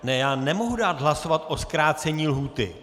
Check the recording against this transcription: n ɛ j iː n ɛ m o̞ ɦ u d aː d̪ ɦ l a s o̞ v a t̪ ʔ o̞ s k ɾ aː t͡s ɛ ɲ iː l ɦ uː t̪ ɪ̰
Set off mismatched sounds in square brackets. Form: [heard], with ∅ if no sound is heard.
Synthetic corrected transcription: n ɛ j [aː] n ɛ m o̞ ɦ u d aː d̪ ɦ l a s o̞ v a t̪ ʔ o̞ s k ɾ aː t͡s ɛ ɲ iː l ɦ uː t̪ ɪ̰